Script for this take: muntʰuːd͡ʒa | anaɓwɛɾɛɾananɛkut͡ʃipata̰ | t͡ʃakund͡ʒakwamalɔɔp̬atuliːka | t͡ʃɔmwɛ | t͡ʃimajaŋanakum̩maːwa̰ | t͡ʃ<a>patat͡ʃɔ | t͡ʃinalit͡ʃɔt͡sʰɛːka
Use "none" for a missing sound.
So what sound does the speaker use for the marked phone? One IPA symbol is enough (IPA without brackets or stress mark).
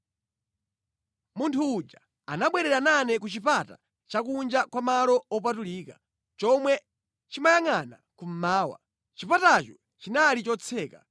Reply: i